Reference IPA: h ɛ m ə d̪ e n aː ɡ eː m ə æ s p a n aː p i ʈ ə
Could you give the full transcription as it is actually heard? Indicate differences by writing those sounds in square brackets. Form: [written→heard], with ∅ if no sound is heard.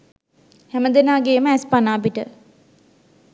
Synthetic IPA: h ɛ m ə d̪ e n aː ɡ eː m ə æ s p a n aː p i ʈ ə